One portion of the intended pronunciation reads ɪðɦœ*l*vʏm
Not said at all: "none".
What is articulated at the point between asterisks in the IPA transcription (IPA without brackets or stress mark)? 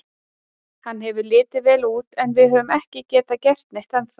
none